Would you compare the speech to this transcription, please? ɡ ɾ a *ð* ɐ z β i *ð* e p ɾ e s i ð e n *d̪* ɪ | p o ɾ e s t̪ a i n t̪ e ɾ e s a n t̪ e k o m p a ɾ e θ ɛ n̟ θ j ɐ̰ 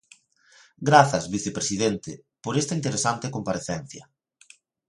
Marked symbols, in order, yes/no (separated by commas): no, no, no